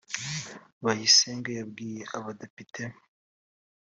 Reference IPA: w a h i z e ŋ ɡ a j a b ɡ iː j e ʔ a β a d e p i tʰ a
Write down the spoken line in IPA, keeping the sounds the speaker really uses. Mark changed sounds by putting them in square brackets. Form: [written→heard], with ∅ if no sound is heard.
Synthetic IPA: [w→β] a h i [z→s] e ŋ ɡ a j a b ɡ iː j e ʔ a β a d e p i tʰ [a→e]